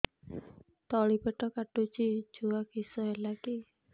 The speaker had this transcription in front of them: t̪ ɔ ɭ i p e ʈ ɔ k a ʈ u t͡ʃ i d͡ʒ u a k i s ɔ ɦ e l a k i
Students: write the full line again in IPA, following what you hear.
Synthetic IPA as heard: t̪ ɔ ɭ i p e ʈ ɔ k a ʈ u t͡ʃ i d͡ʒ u a k i s ɔ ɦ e l a k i